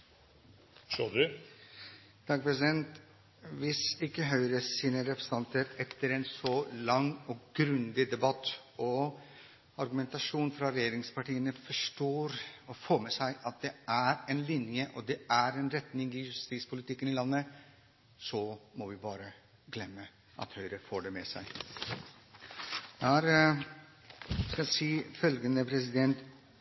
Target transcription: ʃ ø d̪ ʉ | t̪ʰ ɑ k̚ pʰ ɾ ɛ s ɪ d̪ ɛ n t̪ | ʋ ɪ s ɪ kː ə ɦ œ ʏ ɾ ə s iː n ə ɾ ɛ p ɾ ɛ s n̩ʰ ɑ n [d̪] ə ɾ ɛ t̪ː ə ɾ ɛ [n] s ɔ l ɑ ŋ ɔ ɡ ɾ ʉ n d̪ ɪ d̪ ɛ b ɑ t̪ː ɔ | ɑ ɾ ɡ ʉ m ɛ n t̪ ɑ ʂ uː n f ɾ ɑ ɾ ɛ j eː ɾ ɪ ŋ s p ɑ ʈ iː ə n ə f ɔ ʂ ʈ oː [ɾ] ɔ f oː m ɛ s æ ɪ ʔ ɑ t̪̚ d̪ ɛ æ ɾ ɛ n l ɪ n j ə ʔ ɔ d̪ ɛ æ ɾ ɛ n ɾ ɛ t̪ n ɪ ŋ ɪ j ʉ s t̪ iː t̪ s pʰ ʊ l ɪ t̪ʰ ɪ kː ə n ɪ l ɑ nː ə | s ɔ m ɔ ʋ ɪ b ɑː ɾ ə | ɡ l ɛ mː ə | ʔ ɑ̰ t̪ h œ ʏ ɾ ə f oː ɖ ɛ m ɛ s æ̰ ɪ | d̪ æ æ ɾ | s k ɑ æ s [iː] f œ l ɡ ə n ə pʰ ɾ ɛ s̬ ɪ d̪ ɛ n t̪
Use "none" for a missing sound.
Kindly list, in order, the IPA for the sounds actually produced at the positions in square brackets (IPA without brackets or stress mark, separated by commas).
t̪, n, ɾ, iː